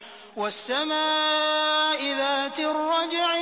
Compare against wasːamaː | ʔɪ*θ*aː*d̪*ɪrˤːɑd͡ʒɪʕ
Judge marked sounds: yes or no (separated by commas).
no, no